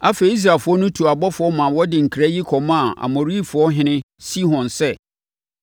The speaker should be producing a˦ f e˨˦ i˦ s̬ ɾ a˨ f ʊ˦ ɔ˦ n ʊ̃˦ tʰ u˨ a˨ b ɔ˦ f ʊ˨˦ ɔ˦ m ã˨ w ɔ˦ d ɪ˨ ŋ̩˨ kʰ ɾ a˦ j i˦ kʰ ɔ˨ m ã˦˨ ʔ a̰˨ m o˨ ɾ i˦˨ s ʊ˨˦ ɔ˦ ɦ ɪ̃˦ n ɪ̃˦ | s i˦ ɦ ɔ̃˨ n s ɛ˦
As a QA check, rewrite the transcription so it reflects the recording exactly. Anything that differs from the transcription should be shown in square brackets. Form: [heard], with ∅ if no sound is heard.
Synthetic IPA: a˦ f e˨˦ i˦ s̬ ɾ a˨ f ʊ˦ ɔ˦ n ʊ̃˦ tʰ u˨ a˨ b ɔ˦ f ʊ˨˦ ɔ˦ m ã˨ w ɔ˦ d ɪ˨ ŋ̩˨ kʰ ɾ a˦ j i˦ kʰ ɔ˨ m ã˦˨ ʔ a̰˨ m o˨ ɾ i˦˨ [f] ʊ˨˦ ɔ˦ ɦ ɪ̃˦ n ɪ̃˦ | s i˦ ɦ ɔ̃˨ n s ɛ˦